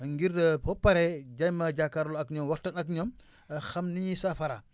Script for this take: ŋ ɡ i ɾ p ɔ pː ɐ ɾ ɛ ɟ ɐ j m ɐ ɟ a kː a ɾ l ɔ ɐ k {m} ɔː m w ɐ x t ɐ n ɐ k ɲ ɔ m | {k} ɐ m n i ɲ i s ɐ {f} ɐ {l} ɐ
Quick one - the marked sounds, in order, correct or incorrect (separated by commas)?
incorrect, incorrect, correct, incorrect